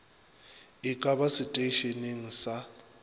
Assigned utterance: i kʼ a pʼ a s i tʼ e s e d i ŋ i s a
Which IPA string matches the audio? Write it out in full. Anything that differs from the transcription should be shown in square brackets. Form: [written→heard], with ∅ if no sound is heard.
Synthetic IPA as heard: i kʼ a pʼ a s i tʼ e [s→ʃ] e [d→n] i ŋ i s a